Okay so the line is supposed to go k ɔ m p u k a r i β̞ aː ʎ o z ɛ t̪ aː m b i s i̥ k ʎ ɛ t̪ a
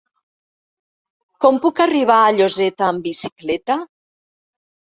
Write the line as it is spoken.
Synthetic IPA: k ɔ m p u k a r i β̞ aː ʎ o z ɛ t̪ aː m b i s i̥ k l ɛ t̪ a